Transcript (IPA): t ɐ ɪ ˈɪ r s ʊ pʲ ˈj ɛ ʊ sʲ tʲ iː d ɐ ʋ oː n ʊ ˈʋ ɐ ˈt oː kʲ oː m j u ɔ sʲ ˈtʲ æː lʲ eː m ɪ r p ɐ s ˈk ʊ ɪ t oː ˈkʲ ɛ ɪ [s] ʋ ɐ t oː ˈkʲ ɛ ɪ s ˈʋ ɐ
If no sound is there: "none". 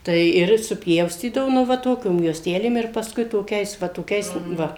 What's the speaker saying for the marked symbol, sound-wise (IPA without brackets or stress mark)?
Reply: s